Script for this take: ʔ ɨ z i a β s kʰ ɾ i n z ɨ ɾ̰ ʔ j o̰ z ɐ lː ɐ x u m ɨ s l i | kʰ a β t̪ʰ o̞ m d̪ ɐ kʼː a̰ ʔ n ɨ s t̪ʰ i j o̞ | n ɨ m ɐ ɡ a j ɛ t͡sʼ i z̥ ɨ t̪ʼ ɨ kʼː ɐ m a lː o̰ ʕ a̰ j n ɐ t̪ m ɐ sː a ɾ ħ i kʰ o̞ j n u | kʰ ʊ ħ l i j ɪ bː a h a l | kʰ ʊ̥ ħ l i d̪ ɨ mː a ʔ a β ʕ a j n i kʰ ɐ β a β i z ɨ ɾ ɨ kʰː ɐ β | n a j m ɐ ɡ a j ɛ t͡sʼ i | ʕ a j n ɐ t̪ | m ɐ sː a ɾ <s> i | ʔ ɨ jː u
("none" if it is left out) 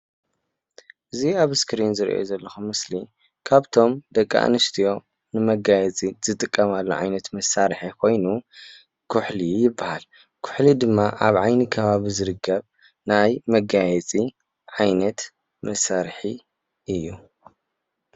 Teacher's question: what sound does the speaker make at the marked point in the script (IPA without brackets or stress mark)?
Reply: ħ